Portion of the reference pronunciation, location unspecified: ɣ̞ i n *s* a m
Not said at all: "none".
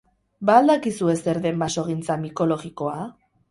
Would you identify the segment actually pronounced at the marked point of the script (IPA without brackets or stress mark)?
t͡s